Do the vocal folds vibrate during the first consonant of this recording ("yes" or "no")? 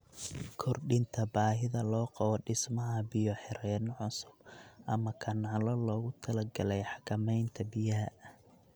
no